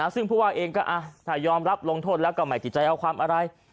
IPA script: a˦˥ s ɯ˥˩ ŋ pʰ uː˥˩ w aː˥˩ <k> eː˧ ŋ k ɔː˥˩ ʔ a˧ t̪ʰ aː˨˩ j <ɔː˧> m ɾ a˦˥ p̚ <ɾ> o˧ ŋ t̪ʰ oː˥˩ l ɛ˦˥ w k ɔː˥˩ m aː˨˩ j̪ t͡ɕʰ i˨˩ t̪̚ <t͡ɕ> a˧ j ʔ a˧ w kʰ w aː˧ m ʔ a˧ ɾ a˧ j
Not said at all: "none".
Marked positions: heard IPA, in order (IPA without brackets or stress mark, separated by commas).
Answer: ʔ, ɔː˧, l, t͡ɕ